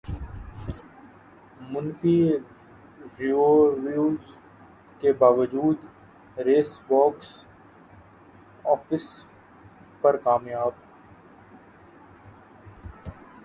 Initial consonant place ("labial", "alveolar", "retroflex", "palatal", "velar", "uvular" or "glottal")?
labial